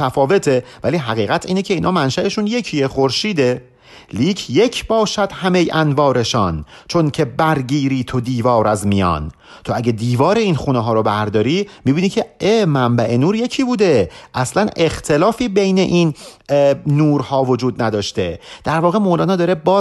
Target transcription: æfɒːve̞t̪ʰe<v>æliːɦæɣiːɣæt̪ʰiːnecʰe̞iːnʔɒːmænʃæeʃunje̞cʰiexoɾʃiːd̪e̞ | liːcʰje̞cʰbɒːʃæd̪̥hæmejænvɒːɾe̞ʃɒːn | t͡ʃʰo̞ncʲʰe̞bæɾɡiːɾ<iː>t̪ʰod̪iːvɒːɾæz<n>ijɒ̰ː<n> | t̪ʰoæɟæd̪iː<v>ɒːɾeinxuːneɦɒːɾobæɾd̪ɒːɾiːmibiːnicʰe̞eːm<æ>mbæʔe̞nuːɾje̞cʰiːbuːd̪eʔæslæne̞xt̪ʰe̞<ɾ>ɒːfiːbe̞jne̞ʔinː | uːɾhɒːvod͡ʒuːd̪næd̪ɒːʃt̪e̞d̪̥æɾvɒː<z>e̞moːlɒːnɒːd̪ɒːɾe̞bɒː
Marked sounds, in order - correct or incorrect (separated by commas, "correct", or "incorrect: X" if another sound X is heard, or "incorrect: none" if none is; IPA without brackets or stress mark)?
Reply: correct, correct, incorrect: m, correct, correct, correct, incorrect: l, incorrect: ɣ